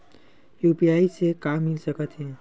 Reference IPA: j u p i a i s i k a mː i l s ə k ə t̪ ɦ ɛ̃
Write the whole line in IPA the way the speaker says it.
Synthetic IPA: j u p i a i s e k a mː i l s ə k ə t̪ ɦ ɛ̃

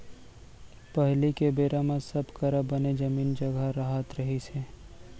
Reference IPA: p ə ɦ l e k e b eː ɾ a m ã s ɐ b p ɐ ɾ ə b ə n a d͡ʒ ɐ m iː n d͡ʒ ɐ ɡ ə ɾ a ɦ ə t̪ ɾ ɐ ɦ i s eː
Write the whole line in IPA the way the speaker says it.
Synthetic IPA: p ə ɦ l i k e b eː ɾ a m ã s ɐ b k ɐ ɾ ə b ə n e d͡ʒ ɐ m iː n d͡ʒ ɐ ɡ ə ɾ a ɦ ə t̪ ɾ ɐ ɦ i s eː

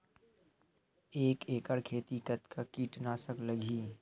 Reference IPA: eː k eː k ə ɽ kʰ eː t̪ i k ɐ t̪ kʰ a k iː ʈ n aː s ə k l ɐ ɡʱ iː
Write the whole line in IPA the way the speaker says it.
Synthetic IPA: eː k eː k ə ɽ kʰ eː t̪ i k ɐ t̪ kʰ a k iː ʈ n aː s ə k l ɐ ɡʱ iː

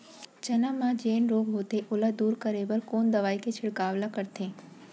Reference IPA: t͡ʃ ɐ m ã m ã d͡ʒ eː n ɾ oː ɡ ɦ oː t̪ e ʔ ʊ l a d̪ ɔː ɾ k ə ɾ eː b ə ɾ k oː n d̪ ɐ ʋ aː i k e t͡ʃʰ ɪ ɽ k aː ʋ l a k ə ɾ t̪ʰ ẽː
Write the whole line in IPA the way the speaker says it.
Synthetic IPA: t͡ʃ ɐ n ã m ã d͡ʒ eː n ɾ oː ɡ ɦ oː t̪ e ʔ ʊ l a d̪ uː ɾ k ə ɾ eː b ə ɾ k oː n d̪ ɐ ʋ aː i k e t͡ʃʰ ɪ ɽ k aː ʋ l a k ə ɾ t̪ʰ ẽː

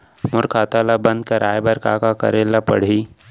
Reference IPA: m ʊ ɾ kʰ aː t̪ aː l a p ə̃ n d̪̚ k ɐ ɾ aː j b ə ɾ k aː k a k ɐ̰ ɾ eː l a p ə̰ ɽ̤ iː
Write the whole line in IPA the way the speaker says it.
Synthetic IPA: m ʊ ɾ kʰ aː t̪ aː l a b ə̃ n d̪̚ k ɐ ɾ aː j b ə ɾ k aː k a k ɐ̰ ɾ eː l a p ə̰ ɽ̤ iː

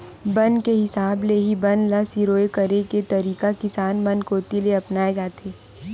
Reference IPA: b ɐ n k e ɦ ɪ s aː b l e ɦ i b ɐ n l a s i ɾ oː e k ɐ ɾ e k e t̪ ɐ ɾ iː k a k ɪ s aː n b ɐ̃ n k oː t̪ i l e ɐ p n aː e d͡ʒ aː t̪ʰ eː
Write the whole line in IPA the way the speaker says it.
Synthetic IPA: b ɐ n k e ɦ ɪ s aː b l e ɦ i b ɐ n l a s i ɾ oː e k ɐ ɾ e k e t̪ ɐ ɾ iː k a k ɪ s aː n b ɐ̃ n k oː t̪ i l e ɐ p n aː e d͡ʒ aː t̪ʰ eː

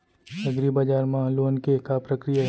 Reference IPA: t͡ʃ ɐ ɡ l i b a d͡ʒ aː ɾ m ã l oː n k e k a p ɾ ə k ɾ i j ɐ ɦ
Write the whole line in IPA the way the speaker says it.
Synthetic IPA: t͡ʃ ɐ ɡ ɾ i b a d͡ʒ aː ɾ m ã l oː n k e k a p ɾ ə k ɾ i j a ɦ

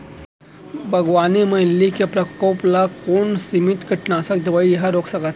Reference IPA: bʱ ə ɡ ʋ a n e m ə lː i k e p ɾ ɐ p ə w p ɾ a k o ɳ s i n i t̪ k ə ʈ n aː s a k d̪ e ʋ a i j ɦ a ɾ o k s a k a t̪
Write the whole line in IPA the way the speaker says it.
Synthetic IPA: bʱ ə ɡ ʋ a n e m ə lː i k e p ɾ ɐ k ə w p l a k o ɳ s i m i t̪ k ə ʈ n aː s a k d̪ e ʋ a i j ɦ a ɾ o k s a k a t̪

